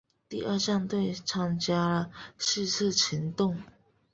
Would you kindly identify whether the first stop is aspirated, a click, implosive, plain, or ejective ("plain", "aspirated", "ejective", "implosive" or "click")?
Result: plain